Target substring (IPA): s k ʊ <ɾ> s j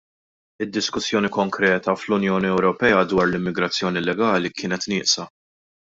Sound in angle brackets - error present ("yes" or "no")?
yes